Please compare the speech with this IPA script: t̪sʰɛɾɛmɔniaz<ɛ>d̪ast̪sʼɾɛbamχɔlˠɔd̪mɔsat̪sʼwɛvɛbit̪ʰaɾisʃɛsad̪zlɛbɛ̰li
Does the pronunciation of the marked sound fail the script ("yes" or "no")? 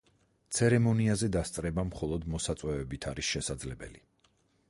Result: no